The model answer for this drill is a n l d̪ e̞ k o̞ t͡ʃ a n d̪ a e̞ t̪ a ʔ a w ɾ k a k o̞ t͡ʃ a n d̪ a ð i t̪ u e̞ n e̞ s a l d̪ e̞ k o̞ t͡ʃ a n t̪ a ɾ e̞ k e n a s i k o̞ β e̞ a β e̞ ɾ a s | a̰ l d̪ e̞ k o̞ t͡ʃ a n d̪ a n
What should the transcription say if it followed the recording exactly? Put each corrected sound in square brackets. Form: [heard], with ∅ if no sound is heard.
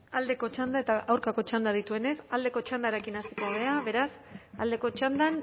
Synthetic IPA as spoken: a [∅] l d̪ e̞ k o̞ t͡ʃ a n d̪ a e̞ t̪ a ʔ a w ɾ k a k o̞ t͡ʃ a n d̪ a ð i t̪ u e̞ n e̞ s a l d̪ e̞ k o̞ t͡ʃ a n [d̪] a ɾ e̞ k [i] n a s i k o̞ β e̞ a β e̞ ɾ a s | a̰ l d̪ e̞ k o̞ t͡ʃ a n d̪ a n